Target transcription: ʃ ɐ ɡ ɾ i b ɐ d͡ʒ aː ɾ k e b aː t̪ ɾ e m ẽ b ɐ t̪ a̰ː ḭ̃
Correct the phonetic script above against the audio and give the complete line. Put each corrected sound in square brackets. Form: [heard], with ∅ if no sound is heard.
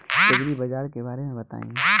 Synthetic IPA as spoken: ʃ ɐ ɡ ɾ i b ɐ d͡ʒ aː ɾ k e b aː [∅] ɾ e m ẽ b ɐ t̪ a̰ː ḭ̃